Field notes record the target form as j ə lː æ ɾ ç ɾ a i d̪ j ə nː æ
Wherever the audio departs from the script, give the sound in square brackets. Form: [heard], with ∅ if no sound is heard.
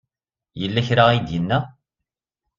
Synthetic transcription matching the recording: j ə lː æ [∅] ç ɾ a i d̪ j ə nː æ